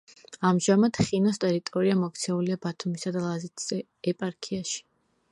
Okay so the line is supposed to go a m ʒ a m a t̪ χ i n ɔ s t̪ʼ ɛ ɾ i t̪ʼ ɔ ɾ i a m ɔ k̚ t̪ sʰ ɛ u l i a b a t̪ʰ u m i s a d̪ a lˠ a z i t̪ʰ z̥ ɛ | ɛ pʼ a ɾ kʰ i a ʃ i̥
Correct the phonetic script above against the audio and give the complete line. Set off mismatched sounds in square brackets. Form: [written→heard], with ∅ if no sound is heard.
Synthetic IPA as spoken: a m ʒ a m a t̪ χ i n ɔ s t̪ʼ ɛ ɾ i t̪ʼ ɔ ɾ i a m ɔ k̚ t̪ sʰ ɛ u l i a b a t̪ʰ u m i s a d̪ a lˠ a z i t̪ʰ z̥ ɛ | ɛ pʼ a ɾ kʰ i a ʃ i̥

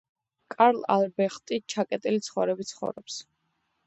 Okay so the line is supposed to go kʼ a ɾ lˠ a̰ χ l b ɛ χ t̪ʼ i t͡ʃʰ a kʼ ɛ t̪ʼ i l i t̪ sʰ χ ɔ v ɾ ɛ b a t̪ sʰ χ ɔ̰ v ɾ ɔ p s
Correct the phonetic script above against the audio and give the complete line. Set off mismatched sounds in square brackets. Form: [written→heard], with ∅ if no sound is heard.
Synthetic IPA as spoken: kʼ a ɾ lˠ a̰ [χ→∅] l b ɛ χ t̪ʼ i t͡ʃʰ a kʼ ɛ t̪ʼ i l i t̪ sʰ χ ɔ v ɾ ɛ b [a→i] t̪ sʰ χ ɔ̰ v ɾ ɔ p s

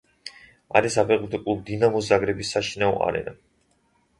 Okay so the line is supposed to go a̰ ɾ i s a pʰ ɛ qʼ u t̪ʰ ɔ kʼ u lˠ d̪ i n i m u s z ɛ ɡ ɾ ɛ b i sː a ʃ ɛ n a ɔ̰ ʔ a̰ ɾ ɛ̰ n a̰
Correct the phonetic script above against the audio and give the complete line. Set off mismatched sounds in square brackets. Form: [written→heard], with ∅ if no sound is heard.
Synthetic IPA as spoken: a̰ ɾ i s a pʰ ɛ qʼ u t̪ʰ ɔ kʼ u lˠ d̪ i n [i→a] m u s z [ɛ→a] ɡ ɾ ɛ b i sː a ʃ [ɛ→i] n a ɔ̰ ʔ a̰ ɾ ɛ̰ n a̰

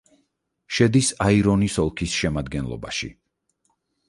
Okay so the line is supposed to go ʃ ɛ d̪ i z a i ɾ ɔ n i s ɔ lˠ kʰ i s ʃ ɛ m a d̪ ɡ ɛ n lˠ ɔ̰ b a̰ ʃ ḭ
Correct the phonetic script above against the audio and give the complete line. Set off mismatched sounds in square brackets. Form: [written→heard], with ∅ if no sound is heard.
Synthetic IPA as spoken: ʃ ɛ d̪ i [z→s] a i ɾ ɔ n i s ɔ lˠ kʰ i s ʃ ɛ m a d̪ ɡ ɛ n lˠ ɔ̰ b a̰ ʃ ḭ

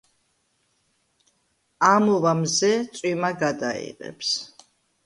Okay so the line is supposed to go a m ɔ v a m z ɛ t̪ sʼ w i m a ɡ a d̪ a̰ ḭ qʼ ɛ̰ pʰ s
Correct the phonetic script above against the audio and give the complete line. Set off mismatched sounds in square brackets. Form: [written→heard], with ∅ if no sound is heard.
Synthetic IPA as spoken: a m ɔ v a m z ɛ t̪ sʼ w i m a ɡ a d̪ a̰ ḭ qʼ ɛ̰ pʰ s

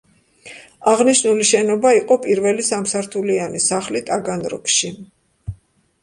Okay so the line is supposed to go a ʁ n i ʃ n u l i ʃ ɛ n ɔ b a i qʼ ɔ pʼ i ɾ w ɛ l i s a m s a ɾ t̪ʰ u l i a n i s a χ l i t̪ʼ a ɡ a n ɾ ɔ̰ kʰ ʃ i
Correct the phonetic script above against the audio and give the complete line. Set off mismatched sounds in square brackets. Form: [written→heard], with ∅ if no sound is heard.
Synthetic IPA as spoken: a ʁ n i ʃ n u l i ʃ ɛ n ɔ b a i qʼ ɔ pʼ i ɾ [w→v] ɛ l i s a m s a ɾ t̪ʰ u l i a n i s a χ l i t̪ʼ a ɡ a n ɾ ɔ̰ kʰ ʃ i

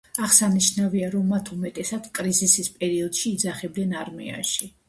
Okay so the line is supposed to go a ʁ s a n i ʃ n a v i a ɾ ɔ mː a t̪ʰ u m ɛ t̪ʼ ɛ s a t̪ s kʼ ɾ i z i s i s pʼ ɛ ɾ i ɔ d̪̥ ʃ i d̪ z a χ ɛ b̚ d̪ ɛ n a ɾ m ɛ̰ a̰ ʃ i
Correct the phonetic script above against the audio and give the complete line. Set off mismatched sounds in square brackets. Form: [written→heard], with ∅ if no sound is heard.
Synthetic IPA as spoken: a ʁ s a n i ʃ n a v i a ɾ ɔ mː a t̪ʰ u m ɛ t̪ʼ ɛ s a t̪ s kʼ ɾ i z i s i s pʼ ɛ ɾ i ɔ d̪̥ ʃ [i→iː] d̪ z a χ ɛ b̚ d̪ ɛ n a ɾ m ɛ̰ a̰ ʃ i

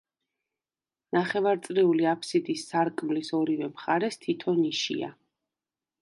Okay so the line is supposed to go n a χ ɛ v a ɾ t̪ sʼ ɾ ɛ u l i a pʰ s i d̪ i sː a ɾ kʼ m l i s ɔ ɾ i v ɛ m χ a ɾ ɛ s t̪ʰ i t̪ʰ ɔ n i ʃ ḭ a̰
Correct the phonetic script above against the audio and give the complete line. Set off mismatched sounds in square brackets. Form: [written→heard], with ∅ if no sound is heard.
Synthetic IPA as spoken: n a χ ɛ v a ɾ t̪ sʼ ɾ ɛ u l i a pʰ s i d̪ i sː a ɾ kʼ m l i s ɔ ɾ i v ɛ m χ a ɾ ɛ s t̪ʰ i t̪ʰ ɔ n i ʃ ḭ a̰

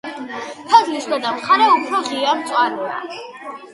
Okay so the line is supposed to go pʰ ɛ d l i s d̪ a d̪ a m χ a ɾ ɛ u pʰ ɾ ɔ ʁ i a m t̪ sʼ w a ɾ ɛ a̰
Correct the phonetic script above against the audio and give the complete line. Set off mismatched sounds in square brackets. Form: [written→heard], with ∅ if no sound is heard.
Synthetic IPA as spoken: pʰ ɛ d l i s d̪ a d̪ a m χ a ɾ ɛ u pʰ ɾ ɔ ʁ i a m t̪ sʼ w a ɾ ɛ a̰

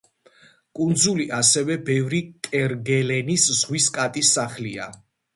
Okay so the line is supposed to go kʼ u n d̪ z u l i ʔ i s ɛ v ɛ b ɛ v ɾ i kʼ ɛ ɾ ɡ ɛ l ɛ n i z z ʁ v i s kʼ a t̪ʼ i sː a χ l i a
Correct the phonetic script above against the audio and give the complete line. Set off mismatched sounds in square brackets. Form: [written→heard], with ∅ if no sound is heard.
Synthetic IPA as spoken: kʼ u n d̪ z u l i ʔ [i→a] s ɛ v ɛ b ɛ v ɾ i kʼ ɛ ɾ ɡ ɛ l ɛ n i [z→s] z ʁ [v→w] i s kʼ a t̪ʼ i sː a χ l i a

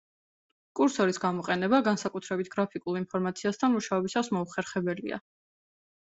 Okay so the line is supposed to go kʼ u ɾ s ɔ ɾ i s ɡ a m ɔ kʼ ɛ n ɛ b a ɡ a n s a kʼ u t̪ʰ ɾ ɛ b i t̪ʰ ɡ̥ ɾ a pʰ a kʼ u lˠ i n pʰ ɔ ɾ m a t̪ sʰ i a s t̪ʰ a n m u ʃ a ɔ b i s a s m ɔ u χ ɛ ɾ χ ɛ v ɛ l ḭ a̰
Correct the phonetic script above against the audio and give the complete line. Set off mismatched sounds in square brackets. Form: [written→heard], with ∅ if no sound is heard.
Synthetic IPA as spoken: kʼ u ɾ s ɔ ɾ i s ɡ a m ɔ [kʼ→qʼ] ɛ n ɛ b a ɡ a n s a kʼ u t̪ʰ ɾ ɛ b i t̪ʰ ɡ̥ ɾ a pʰ [a→i] kʼ u lˠ i n pʰ ɔ ɾ m a t̪ sʰ i a s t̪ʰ a n m u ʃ a ɔ b i s a s m ɔ u χ ɛ ɾ χ ɛ [v→b] ɛ l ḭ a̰

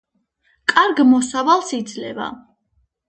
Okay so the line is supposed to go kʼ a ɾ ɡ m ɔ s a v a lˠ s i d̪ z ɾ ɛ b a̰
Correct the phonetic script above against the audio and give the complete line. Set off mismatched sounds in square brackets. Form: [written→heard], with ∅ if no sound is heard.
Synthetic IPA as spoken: kʼ a ɾ ɡ m ɔ s a v a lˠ s i d̪ z [ɾ→l] ɛ [b→v] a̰

